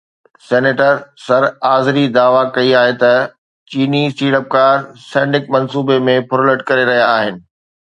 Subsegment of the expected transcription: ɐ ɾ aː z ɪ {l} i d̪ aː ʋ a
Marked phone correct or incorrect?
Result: incorrect